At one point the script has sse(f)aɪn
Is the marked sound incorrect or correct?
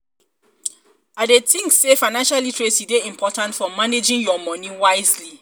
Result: correct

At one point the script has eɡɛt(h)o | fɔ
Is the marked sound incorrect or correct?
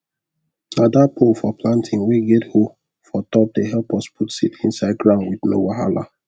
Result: correct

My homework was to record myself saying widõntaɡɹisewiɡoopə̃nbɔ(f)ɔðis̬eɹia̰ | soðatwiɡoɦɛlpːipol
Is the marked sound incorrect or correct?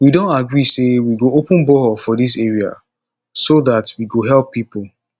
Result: correct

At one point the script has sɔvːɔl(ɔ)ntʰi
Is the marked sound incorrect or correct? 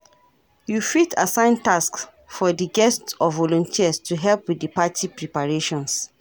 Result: incorrect: ɔ̃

